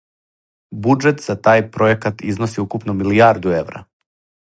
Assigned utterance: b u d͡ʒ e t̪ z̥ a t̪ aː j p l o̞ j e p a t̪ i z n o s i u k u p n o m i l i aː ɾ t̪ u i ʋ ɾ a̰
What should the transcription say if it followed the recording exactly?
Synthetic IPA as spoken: b u d͡ʒ e t̪ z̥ a t̪ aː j p ɾ o̞ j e k a t̪ i z n o s i u k u p n o m i l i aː ɾ d̪ u e ʋ ɾ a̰